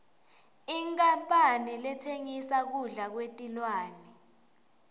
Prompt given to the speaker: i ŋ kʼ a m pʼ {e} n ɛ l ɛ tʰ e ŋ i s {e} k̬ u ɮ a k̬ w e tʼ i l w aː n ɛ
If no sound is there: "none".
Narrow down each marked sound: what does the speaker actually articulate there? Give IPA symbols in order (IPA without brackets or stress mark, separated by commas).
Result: a, a